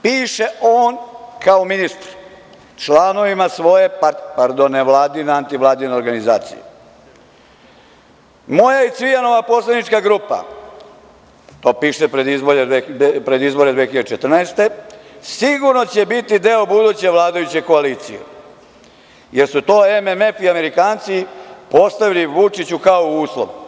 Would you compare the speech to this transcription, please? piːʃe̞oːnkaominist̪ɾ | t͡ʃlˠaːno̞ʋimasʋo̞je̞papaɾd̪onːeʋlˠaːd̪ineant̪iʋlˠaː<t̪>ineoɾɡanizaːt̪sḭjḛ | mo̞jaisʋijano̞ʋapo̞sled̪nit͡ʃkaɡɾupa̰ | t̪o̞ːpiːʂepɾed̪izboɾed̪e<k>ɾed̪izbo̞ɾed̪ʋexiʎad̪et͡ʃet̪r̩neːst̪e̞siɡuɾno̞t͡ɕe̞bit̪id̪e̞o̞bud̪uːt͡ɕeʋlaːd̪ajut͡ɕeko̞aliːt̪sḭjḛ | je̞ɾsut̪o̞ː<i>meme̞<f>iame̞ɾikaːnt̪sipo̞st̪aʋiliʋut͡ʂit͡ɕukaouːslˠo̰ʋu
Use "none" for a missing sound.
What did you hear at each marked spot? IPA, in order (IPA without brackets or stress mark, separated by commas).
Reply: d̪, p, e, f